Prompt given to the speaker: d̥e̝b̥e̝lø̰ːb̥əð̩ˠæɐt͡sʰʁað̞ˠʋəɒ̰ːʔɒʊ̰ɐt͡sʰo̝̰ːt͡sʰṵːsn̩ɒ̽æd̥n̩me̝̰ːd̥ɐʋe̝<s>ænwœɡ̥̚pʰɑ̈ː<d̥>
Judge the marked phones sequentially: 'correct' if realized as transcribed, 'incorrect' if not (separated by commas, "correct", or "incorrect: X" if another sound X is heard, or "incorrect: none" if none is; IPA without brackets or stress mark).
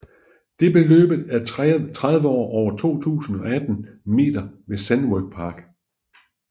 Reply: correct, incorrect: ɡ̥